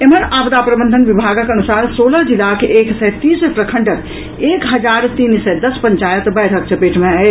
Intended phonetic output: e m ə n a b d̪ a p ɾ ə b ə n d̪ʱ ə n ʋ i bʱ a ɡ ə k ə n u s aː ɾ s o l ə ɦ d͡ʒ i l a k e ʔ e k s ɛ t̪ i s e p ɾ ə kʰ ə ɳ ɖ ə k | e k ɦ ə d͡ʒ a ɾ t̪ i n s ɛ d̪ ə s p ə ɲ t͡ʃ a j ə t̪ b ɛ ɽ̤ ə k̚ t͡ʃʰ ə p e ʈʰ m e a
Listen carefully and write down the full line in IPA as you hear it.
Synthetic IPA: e m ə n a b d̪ a p ɾ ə b ə n d̪ʱ ə n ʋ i bʱ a ɡ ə k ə n u s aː ɾ s o l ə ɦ d͡ʒ i l a k e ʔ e k s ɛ t̪ i s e p ɾ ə kʰ ə ɳ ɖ ə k | e k ɦ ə d͡ʒ a ɾ t̪ i n s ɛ d̪ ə s p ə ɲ t͡ʃ a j ə t̪ b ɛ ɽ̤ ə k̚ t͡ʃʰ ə p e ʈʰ m e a